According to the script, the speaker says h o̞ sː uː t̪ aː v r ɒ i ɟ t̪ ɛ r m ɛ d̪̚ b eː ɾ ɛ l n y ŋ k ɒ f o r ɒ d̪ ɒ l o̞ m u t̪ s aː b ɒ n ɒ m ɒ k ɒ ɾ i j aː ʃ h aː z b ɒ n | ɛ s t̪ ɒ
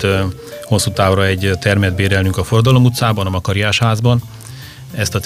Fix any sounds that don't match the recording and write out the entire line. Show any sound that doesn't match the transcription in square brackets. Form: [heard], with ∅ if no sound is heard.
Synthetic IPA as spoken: h o̞ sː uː t̪ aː v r ɒ [ɛ] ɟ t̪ ɛ r m ɛ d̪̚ b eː ɾ ɛ l n y ŋ k ɒ f o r ɒ d̪ ɒ l o̞ m u t̪ s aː b ɒ n ɒ m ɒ k ɒ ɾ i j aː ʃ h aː z b ɒ n | ɛ s t̪ ɒ